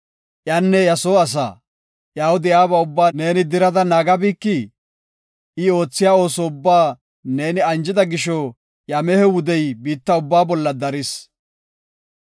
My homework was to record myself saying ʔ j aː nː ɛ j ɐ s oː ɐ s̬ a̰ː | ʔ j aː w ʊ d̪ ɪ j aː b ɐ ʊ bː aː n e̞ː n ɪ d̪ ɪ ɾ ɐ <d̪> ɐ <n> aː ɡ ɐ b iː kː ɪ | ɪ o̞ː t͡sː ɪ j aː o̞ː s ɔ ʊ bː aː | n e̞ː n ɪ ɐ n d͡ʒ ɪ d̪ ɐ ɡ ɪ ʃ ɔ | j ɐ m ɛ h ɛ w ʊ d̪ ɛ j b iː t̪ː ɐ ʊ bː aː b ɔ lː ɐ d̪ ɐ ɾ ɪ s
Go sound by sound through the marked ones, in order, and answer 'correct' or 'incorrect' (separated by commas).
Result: correct, correct